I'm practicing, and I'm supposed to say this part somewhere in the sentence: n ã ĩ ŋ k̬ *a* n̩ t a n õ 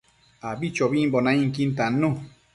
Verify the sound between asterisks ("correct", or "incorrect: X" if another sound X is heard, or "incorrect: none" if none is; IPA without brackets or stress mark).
incorrect: i